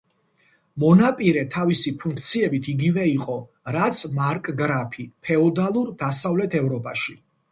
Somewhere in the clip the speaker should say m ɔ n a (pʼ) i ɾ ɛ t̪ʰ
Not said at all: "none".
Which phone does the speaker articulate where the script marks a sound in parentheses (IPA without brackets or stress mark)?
pʼ